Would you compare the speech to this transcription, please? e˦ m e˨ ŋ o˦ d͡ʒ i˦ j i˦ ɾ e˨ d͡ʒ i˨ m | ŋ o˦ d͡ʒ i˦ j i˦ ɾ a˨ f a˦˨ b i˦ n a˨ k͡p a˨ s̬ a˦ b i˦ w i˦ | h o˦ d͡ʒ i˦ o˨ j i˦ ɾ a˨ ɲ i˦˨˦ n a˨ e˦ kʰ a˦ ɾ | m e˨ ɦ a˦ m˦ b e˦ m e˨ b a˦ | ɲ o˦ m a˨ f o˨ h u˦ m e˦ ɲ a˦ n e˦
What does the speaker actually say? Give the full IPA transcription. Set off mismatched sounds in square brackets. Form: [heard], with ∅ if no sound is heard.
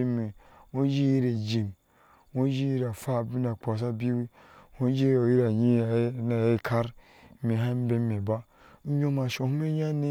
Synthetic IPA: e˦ m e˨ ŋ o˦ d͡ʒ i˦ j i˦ ɾ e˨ d͡ʒ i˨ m | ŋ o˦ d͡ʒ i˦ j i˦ ɾ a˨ f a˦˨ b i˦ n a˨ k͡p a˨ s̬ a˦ b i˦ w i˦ | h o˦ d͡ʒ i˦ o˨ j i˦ ɾ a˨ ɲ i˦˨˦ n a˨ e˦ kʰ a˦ ɾ | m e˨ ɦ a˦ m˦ b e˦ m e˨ b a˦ | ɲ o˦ m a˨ [ʃ] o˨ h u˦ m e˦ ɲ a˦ n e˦